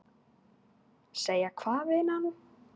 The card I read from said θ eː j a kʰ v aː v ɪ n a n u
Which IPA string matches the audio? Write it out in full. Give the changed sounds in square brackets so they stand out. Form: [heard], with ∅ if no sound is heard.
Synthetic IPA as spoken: [s] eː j a kʰ v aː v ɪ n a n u